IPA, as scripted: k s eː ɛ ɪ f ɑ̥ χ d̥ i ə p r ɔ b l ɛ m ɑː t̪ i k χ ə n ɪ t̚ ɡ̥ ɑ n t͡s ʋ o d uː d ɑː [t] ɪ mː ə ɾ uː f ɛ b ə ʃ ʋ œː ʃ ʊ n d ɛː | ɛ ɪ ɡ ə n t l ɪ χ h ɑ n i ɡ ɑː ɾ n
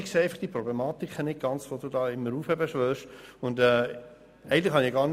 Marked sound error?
yes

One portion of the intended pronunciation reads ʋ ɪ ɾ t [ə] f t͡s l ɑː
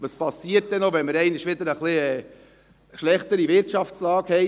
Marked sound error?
yes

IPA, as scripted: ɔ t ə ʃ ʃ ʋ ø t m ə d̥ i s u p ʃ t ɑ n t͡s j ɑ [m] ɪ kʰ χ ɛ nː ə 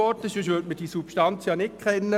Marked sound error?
yes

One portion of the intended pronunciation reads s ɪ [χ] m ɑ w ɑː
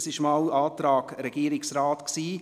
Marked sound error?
yes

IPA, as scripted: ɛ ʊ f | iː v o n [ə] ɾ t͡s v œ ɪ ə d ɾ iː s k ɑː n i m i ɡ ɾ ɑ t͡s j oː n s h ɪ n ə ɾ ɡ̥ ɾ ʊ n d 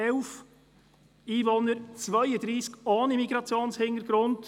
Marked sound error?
no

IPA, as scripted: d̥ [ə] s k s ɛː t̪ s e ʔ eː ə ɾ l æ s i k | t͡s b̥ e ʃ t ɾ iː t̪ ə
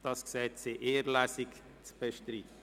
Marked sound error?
yes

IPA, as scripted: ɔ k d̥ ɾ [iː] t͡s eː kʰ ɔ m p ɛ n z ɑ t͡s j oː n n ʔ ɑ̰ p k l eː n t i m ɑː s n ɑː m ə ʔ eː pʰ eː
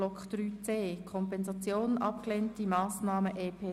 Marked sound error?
yes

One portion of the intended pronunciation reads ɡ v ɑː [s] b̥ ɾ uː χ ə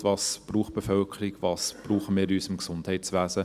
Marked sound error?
no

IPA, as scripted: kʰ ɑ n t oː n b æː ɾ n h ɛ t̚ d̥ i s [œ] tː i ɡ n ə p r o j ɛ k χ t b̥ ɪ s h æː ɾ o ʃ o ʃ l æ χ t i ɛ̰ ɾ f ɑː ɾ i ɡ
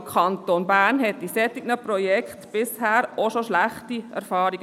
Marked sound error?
yes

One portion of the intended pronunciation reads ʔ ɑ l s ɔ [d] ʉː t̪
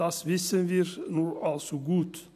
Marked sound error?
yes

